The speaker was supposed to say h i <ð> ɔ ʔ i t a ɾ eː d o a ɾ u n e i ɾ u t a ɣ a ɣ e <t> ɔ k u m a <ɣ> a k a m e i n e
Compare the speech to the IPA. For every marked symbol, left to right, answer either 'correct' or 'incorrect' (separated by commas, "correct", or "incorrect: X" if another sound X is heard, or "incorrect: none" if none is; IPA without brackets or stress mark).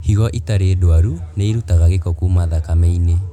incorrect: ɣ, incorrect: k, incorrect: ð